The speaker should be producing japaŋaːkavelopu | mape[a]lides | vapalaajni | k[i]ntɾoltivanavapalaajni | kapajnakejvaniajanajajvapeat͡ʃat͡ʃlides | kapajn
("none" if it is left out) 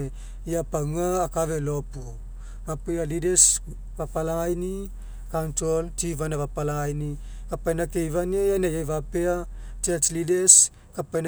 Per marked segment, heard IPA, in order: a, a

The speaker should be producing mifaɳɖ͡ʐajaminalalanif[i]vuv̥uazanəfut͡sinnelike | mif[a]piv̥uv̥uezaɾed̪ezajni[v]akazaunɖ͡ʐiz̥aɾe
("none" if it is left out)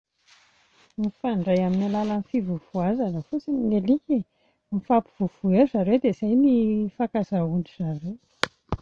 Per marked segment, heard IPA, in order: i, a, f

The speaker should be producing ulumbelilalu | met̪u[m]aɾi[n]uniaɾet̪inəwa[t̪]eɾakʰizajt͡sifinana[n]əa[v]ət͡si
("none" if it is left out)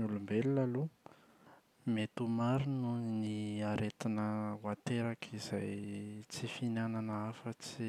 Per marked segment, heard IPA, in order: m, n, t̪, n, f

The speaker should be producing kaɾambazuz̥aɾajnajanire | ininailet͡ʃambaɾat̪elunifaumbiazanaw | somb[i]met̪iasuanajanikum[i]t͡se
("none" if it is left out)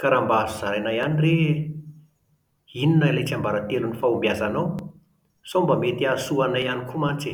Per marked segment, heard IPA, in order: a, a

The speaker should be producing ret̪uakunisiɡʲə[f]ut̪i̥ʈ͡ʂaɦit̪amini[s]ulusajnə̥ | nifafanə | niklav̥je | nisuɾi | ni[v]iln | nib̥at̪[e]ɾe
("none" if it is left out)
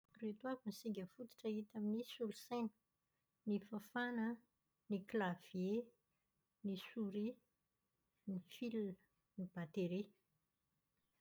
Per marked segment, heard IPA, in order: f, s, f, e

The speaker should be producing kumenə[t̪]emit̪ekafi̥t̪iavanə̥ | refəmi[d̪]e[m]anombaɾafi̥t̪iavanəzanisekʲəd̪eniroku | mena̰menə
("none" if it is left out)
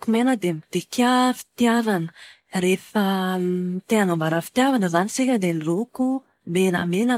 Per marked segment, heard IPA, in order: d̪, t̪, none

